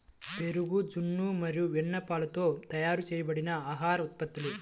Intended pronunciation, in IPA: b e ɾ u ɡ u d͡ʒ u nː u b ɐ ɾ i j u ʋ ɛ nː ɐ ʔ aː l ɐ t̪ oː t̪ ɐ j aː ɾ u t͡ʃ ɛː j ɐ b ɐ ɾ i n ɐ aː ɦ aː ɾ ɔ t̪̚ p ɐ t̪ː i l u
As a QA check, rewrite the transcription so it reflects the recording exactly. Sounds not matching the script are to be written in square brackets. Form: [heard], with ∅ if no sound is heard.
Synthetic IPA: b e ɾ u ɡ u d͡ʒ u nː u [m] ɐ ɾ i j u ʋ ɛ nː ɐ [p] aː l ɐ t̪ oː t̪ ɐ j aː ɾ u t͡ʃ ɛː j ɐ b ɐ [ɽ] i n ɐ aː ɦ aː ɾ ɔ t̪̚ p ɐ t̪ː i l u